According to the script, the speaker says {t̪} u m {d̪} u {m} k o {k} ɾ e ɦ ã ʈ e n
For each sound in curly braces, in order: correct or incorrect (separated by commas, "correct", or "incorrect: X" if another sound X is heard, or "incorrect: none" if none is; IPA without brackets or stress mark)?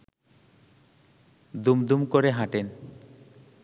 incorrect: d̪, correct, correct, incorrect: none